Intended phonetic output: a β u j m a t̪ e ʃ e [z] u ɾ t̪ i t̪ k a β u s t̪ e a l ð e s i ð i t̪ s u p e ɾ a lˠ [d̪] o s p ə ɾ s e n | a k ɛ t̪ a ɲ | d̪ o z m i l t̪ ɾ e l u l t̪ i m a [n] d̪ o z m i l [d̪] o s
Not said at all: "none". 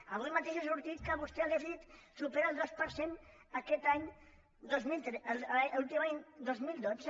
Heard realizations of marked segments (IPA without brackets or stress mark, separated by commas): s, d̪, ɲ, d̪